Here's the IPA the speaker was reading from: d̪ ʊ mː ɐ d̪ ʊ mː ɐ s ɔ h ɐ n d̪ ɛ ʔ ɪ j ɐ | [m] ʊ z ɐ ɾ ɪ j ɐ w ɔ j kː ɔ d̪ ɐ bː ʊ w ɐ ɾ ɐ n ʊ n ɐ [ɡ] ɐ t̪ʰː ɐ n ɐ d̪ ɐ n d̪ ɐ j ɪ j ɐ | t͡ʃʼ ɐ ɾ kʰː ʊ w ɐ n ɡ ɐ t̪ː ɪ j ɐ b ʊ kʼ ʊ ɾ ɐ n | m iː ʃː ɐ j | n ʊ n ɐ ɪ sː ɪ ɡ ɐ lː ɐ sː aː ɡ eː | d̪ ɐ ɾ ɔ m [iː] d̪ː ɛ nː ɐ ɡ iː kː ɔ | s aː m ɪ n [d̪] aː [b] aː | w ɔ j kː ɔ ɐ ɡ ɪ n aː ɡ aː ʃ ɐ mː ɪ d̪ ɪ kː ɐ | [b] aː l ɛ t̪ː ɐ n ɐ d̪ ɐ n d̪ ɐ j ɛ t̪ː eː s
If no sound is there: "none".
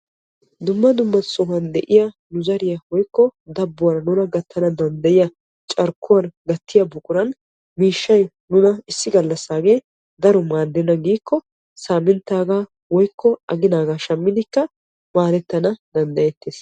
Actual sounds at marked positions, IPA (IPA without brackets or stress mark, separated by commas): n, ɡ, aː, t̪, ɡ, m